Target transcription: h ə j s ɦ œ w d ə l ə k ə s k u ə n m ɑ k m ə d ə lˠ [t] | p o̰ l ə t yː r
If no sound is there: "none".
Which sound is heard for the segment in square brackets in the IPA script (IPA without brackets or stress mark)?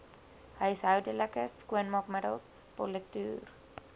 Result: s